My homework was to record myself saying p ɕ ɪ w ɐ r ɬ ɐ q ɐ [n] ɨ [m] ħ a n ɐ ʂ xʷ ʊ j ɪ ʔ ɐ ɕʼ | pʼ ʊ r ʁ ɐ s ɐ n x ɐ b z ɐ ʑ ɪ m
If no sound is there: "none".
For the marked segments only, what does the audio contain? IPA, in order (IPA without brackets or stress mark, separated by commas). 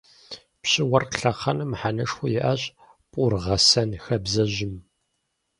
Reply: n, m